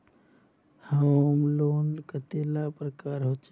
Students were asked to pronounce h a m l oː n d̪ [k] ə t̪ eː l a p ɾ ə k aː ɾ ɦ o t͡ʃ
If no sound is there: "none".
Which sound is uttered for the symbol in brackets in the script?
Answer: k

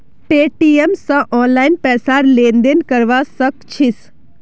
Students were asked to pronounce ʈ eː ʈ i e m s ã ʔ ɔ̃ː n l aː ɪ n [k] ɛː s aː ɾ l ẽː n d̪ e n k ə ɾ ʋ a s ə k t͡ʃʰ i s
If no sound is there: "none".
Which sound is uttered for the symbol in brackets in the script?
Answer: p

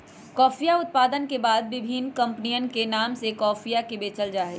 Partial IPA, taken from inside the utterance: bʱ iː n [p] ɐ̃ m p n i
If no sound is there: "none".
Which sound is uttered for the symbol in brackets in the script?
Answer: k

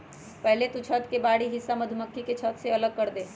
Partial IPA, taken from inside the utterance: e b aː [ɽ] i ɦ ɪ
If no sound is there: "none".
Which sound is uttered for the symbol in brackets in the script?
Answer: ɽ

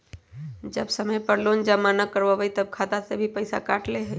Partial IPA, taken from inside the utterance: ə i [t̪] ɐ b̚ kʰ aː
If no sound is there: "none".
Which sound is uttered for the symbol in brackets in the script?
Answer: t̪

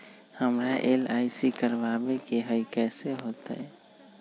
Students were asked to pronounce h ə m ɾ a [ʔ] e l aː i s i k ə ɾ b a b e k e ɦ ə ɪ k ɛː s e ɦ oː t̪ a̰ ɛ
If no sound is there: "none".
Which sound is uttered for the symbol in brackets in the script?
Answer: ʔ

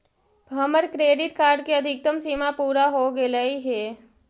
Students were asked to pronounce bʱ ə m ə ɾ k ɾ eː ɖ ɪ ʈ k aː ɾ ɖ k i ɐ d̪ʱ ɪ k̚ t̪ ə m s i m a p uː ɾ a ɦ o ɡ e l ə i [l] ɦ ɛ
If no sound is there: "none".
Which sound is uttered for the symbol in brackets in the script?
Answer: none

